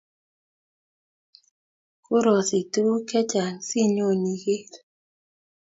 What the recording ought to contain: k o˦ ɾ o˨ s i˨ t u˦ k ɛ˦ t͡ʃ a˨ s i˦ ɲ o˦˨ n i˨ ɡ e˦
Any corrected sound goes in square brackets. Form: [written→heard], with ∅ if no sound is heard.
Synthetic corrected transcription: k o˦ ɾ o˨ s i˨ t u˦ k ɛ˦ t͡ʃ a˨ s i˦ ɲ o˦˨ n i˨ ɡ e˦